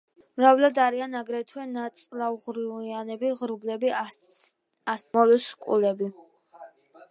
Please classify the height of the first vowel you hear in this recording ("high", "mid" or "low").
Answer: low